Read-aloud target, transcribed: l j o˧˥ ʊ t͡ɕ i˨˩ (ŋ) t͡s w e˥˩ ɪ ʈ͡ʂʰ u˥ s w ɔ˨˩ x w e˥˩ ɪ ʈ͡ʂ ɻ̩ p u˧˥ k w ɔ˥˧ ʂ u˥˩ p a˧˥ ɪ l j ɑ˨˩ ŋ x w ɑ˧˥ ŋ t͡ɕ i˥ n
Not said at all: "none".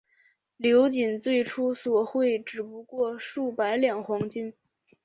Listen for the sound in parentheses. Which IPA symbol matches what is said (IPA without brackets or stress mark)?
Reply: n